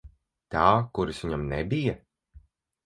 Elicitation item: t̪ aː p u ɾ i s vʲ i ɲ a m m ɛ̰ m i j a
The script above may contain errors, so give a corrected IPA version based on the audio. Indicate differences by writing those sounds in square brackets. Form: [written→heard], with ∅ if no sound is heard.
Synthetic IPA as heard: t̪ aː [p→k] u ɾ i s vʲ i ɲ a m [m→n] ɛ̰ [m→b] i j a